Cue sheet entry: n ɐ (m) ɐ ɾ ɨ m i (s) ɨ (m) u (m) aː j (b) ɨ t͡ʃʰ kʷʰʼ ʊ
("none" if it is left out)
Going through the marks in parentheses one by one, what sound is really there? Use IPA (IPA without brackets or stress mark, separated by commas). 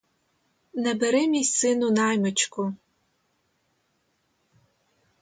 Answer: b, s, n, n, m